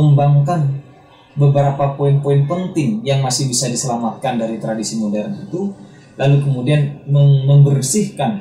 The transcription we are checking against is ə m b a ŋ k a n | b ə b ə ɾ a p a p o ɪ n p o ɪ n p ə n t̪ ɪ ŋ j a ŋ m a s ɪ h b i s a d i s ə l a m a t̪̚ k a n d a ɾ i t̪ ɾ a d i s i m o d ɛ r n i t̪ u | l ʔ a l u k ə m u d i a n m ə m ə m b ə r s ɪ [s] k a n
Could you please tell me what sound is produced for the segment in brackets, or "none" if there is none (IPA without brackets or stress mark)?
h